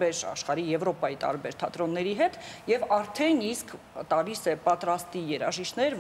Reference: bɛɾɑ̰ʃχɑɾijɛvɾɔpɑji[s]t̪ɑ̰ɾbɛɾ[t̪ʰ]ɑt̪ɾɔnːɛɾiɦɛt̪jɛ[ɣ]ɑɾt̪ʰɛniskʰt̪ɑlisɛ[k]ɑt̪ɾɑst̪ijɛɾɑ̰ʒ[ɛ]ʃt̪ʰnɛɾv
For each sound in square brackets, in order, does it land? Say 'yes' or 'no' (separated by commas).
no, yes, no, no, no